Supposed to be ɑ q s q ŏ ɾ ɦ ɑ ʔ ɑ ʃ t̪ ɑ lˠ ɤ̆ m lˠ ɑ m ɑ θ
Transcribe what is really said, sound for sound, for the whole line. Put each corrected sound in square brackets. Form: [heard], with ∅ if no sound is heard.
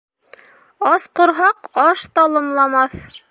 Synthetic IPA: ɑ [∅] s q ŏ ɾ ɦ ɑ [q] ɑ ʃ t̪ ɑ lˠ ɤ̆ m lˠ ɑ m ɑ θ